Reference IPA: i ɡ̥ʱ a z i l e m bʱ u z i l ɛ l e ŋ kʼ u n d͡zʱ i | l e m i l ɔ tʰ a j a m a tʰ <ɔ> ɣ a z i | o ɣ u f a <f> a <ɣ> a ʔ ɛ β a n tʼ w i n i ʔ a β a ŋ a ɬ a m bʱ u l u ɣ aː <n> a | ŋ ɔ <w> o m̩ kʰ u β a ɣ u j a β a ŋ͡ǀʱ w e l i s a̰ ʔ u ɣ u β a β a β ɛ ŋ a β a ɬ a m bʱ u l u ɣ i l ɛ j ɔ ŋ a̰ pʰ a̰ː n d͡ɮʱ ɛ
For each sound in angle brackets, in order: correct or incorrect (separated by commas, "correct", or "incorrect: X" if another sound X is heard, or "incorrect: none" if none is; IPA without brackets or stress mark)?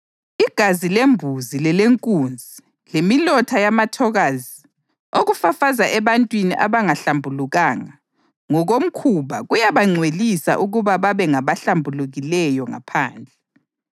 correct, correct, incorrect: z, incorrect: ŋ, incorrect: ɣ